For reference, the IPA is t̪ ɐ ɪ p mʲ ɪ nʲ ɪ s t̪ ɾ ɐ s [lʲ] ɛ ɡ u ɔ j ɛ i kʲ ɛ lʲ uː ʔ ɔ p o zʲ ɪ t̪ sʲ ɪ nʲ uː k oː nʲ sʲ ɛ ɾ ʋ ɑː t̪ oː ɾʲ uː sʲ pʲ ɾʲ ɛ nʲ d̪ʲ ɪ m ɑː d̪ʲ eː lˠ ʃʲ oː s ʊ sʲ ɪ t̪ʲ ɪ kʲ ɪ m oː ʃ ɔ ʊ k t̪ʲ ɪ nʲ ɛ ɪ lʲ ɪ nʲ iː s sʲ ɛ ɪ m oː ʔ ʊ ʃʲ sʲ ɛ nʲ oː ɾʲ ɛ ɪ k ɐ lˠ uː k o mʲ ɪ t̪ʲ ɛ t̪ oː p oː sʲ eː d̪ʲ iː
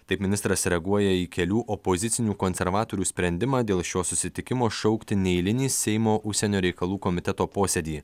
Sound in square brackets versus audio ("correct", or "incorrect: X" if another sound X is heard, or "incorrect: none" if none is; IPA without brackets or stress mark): incorrect: ɾʲ